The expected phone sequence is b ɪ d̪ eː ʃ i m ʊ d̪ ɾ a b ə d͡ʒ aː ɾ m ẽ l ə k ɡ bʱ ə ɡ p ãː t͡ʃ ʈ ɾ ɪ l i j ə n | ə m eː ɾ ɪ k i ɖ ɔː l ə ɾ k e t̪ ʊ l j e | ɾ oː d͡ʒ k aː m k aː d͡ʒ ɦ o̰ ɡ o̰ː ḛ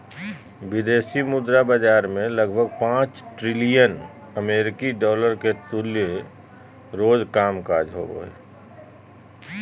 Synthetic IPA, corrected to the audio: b ɪ d̪ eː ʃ i m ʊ d̪ ɾ a b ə d͡ʒ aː ɾ m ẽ l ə ɡ bʱ ə ɡ p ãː t͡ʃ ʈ ɾ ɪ l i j ə n | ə m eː ɾ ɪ k i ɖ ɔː l ə ɾ k e t̪ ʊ l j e | ɾ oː d͡ʒ k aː m k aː d͡ʒ ɦ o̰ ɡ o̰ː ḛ